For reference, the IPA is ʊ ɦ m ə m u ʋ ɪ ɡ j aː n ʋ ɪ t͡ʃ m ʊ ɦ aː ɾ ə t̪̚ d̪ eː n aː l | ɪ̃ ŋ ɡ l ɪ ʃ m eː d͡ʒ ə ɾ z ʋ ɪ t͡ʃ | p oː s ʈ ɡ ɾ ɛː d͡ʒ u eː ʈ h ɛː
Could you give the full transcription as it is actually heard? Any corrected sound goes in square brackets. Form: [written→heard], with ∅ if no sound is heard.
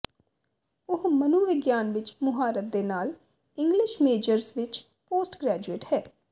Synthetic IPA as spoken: ʊ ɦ m ə [m→n] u ʋ ɪ ɡ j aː n ʋ ɪ t͡ʃ m ʊ ɦ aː ɾ ə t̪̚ d̪ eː n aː l | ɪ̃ ŋ ɡ l ɪ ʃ m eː d͡ʒ ə ɾ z ʋ ɪ t͡ʃ | p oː s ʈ ɡ ɾ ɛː d͡ʒ u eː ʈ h ɛː